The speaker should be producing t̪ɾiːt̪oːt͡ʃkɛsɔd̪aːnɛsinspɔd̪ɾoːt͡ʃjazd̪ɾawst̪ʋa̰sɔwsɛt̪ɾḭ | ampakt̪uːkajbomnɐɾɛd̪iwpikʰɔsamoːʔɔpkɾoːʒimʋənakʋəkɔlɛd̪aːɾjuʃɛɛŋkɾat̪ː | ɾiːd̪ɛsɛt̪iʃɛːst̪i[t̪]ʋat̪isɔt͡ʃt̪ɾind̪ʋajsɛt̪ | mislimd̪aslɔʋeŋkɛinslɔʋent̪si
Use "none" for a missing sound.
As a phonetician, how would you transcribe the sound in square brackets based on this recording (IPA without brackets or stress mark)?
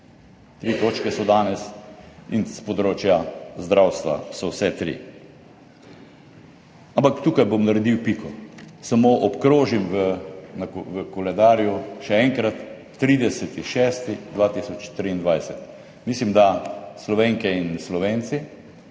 d̪